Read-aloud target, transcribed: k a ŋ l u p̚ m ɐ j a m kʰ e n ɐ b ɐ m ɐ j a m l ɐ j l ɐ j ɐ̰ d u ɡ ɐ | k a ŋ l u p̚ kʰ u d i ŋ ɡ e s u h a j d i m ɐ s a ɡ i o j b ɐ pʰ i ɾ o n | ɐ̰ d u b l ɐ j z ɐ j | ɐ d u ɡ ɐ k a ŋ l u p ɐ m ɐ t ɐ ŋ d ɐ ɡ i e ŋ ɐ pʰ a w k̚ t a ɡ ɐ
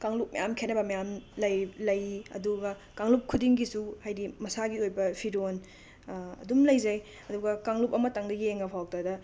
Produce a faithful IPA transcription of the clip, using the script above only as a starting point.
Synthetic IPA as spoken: k a ŋ l u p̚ m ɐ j a m kʰ e n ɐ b ɐ m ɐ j a m l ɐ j l ɐ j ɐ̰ d u ɡ ɐ | k a ŋ l u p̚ kʰ u d i ŋ ɡ i s u h a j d i m ɐ s a ɡ i o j b ɐ pʰ i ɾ o n | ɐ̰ d u m l ɐ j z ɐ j | ɐ d u ɡ ɐ k a ŋ l u p ɐ m ɐ t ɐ ŋ d ɐ ɡ i e ŋ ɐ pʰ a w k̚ t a d ɐ